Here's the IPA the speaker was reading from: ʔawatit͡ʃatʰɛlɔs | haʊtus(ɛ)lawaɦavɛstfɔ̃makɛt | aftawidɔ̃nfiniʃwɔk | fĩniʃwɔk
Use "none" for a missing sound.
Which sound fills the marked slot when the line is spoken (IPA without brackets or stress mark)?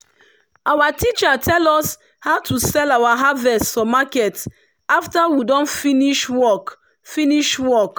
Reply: ɛ